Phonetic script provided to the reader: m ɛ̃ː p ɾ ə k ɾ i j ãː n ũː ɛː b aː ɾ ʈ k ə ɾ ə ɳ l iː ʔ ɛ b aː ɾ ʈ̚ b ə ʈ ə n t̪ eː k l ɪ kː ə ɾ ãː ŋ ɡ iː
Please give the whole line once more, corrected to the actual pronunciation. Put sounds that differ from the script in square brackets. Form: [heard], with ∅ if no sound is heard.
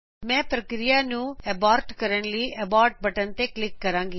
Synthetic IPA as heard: m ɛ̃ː p ɾ ə k ɾ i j [aː] n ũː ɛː b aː ɾ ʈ k ə ɾ ə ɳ l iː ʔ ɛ b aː ɾ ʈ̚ b ə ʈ ə n t̪ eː k l ɪ kː ə ɾ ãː ŋ ɡ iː